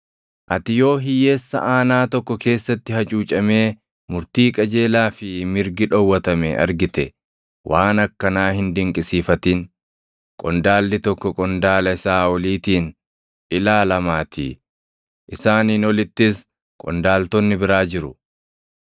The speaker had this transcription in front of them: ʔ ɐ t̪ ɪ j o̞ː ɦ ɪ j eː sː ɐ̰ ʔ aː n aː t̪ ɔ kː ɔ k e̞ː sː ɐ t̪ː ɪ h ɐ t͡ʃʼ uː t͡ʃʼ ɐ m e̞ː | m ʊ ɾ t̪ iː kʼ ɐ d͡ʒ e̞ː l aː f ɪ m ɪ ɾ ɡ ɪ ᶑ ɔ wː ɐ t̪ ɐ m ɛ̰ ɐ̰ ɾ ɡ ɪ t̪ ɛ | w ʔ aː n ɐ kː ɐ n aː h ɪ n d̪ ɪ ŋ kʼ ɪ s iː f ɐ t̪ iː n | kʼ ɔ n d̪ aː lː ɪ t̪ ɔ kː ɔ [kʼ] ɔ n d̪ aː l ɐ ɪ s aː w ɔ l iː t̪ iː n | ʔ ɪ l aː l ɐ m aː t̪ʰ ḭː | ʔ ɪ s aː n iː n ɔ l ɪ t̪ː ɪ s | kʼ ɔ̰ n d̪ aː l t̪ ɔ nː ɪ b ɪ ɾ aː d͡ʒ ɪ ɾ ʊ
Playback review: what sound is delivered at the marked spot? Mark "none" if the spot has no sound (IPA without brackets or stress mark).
kʼ